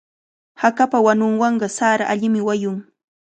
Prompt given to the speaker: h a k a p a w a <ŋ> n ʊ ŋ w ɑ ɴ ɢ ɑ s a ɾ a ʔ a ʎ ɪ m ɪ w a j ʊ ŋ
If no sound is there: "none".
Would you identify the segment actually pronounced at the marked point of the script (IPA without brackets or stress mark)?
none